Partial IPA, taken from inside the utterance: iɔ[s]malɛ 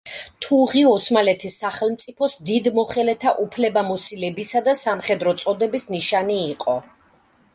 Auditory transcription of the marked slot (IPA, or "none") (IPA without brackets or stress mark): s